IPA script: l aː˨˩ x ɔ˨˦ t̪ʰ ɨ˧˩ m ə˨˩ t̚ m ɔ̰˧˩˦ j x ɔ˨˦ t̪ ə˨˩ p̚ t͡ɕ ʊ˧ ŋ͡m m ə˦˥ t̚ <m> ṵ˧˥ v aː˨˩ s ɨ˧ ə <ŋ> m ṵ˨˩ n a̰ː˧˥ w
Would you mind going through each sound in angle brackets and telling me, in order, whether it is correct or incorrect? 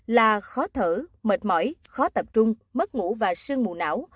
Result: incorrect: ŋ, correct

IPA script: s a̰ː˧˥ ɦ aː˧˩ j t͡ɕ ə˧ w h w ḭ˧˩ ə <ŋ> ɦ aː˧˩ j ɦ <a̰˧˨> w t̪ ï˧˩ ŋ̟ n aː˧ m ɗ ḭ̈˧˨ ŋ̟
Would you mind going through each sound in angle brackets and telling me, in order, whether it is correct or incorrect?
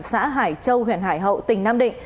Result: incorrect: n, incorrect: ə̰˧˨

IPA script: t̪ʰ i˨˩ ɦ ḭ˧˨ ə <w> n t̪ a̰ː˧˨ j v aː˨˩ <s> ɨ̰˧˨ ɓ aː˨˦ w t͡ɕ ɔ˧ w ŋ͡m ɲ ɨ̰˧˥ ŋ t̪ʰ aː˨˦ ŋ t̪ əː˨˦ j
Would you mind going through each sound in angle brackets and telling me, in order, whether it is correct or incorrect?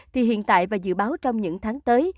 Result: incorrect: none, incorrect: z

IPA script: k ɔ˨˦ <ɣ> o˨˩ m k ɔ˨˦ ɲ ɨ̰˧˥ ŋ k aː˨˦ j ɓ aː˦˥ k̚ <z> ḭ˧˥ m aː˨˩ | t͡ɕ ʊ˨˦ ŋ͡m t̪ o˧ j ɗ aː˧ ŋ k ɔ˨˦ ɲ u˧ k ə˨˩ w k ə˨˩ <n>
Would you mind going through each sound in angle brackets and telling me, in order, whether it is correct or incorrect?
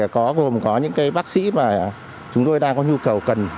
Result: correct, incorrect: s, correct

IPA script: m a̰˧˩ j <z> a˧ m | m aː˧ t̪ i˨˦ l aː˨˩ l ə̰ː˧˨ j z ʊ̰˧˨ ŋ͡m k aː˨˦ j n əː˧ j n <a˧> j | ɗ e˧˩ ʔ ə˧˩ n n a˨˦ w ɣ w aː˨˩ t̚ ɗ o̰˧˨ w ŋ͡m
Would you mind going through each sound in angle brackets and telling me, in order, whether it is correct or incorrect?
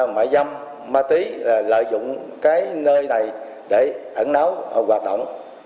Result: correct, incorrect: a˨˩

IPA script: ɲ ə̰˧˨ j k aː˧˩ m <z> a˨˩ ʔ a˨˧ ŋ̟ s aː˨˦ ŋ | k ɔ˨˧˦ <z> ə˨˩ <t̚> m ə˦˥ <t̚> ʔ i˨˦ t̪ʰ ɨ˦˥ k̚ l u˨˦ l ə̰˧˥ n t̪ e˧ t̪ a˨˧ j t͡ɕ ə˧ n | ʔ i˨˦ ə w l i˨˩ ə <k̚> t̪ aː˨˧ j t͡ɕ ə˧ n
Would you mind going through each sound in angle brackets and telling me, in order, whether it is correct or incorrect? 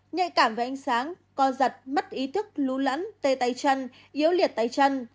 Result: incorrect: v, correct, correct, correct, incorrect: t̚

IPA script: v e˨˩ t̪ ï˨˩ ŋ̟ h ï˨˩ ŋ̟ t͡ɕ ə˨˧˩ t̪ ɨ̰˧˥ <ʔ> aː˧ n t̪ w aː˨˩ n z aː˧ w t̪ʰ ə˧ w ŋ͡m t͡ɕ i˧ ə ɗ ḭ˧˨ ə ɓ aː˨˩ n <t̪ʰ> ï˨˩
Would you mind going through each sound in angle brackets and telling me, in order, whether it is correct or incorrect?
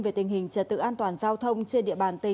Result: correct, incorrect: t̪

